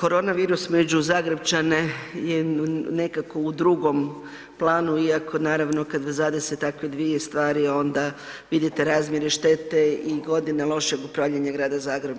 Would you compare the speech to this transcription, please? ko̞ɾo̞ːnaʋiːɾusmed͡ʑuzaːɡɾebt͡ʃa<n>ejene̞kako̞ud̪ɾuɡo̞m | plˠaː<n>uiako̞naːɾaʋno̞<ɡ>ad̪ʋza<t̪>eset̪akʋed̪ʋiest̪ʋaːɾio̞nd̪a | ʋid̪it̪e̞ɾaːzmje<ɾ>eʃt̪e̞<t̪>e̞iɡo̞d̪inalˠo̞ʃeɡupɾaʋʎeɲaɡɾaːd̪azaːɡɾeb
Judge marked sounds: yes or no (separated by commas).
yes, yes, no, no, yes, yes